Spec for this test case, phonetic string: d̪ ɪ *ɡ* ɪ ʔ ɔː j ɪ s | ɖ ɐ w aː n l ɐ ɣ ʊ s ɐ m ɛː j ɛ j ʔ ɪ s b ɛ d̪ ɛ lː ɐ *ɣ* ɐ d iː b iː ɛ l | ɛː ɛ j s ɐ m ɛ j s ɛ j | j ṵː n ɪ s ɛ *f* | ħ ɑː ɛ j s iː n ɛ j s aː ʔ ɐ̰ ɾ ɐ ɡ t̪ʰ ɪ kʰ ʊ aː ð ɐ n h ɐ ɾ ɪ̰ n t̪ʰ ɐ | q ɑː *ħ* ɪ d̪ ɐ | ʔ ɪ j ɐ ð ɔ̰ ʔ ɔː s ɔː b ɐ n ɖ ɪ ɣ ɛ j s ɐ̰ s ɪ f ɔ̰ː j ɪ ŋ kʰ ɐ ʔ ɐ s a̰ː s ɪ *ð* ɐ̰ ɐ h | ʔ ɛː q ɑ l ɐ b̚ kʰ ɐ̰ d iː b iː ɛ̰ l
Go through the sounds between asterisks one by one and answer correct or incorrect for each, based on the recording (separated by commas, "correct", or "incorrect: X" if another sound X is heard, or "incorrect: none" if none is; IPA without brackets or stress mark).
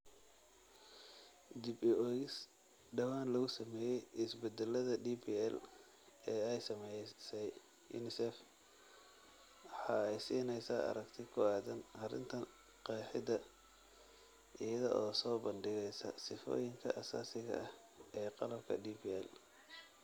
incorrect: b, incorrect: ð, correct, correct, incorrect: ɣ